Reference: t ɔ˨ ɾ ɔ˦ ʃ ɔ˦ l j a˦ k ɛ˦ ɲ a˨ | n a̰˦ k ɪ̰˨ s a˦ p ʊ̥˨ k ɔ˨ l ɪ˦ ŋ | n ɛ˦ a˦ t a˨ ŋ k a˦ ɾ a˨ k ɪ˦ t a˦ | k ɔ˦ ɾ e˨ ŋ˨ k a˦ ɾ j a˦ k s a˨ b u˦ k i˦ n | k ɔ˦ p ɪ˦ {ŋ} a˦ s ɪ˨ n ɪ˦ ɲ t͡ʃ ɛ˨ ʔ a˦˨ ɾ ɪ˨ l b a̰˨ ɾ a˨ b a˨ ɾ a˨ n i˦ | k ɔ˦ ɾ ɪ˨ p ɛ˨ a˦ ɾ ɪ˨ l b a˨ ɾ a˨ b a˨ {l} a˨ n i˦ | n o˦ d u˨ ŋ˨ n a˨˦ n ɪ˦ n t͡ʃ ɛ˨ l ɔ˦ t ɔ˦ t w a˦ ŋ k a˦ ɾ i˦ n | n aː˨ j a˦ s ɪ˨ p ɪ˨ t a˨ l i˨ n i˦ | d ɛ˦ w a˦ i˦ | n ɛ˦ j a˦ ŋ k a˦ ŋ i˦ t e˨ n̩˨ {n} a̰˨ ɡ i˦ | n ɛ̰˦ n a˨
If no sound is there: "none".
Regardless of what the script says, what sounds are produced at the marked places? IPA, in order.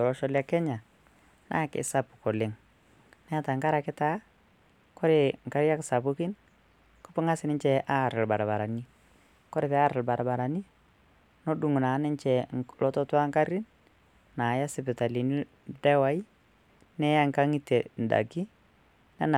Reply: ŋ, ɾ, d

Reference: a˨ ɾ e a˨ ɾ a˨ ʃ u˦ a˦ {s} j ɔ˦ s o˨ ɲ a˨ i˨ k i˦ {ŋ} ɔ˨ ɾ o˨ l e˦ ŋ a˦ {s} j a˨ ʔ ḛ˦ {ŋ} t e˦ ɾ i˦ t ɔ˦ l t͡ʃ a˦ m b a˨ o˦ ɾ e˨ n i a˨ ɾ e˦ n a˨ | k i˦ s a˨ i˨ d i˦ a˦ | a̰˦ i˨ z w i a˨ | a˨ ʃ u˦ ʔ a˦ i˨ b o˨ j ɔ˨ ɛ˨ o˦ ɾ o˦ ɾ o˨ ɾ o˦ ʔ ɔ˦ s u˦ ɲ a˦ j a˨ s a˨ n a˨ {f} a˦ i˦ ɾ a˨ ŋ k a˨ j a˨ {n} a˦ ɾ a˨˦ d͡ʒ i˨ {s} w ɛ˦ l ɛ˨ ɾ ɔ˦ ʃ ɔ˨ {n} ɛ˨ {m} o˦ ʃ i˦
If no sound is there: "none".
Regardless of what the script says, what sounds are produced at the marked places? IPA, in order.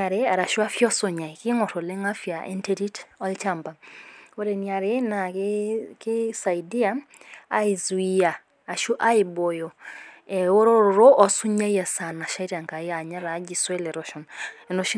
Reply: f, ŋ, f, n, ʃ, ɲ, s, n, n

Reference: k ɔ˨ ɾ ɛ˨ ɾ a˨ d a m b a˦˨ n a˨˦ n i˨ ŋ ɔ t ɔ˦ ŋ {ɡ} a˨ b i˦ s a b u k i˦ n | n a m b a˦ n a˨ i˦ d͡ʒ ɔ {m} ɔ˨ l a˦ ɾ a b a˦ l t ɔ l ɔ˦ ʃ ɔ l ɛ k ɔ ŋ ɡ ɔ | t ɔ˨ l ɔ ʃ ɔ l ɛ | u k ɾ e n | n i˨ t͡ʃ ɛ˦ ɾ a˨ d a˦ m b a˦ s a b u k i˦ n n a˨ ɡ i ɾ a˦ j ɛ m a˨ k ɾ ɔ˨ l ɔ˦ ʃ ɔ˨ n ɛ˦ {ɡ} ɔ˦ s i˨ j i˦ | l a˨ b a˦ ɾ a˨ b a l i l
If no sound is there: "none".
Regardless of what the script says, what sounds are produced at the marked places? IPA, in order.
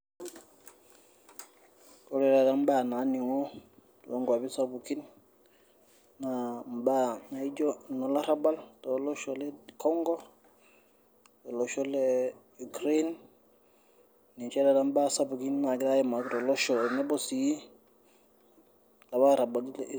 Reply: ɡ, n, b

